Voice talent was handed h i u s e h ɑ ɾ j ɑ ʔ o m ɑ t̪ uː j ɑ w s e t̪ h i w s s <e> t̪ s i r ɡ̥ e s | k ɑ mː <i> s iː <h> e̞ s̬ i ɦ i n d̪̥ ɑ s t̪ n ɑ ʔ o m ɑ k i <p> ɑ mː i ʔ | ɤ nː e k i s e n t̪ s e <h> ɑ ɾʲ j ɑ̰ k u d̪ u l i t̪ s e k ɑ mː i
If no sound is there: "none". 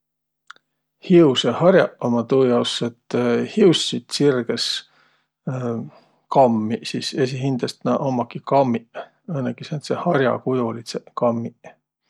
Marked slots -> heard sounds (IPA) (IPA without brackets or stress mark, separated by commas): i, i, s, k, h